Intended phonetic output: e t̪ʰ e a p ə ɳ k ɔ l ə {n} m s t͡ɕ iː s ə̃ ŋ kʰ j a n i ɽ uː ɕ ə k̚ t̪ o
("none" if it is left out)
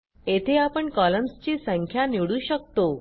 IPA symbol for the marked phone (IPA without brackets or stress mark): none